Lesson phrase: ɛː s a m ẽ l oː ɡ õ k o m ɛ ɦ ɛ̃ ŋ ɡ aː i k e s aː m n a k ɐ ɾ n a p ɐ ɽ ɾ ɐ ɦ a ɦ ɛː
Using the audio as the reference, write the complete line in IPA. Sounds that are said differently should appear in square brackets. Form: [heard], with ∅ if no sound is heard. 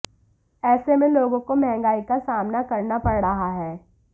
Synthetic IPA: ɛː s [e] m ẽ l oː ɡ õ k o m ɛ ɦ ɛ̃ ŋ ɡ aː i k [a] s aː m n a k ɐ ɾ n a p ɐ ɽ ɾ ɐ ɦ a ɦ ɛː